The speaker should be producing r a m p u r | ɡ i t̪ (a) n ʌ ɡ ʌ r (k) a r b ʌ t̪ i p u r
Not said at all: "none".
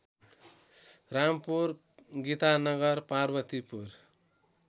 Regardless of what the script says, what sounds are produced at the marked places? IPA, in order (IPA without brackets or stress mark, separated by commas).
a, p